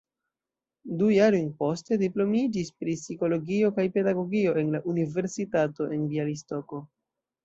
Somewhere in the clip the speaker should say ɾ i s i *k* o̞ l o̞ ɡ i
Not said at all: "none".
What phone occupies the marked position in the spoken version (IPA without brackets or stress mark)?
k